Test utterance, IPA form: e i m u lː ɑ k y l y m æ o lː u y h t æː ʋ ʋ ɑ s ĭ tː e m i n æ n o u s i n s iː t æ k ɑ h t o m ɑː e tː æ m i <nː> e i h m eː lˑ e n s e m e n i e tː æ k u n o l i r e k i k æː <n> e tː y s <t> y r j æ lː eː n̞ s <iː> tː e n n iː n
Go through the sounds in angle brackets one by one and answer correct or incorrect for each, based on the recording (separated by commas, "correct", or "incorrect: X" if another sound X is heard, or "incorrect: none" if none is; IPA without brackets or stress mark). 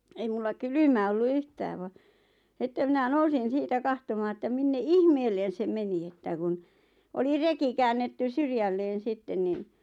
correct, incorrect: nː, incorrect: s, incorrect: i